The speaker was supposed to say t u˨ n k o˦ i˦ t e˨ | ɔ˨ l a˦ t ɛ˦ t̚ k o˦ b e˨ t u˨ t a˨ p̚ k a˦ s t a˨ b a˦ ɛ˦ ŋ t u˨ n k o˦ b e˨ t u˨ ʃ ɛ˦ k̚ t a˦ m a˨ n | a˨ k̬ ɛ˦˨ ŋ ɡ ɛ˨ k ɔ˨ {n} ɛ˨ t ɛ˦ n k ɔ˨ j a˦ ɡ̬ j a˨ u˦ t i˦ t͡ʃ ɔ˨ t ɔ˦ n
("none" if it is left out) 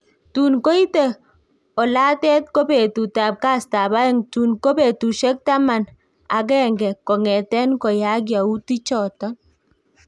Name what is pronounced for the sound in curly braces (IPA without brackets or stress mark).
ŋ